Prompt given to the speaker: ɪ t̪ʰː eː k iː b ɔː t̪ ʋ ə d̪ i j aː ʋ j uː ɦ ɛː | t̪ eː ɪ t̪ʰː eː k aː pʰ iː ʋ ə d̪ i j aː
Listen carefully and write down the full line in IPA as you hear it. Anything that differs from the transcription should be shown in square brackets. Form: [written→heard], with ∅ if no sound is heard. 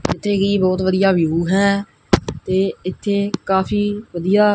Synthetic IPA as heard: ɪ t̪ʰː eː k iː b ɔː t̪ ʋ ə d̪ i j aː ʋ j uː ɦ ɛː | t̪ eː ɪ t̪ʰː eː k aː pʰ iː ʋ ə d̪ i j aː